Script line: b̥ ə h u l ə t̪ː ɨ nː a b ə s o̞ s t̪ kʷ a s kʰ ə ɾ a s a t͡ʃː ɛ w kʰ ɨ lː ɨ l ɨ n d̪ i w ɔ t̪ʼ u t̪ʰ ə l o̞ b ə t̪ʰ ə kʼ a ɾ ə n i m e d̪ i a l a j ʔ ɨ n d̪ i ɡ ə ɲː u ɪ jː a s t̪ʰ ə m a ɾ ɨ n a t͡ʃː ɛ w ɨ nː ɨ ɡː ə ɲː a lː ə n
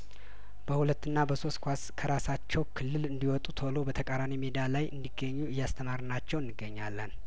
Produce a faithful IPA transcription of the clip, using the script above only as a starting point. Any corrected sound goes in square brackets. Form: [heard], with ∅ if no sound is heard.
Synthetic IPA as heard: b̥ ə h u l ə t̪ː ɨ nː a b ə s o̞ s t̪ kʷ a s kʰ ə ɾ a s a t͡ʃː ɛ w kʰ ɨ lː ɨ l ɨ n d̪ i w ɔ t̪ʼ u t̪ʰ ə l o̞ b ə t̪ʰ ə kʼ a ɾ [a] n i m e d̪ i a l a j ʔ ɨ n d̪ i ɡ ə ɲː u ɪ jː a s t̪ʰ ə m a ɾ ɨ n a t͡ʃː ɛ w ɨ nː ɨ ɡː ə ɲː a lː ə n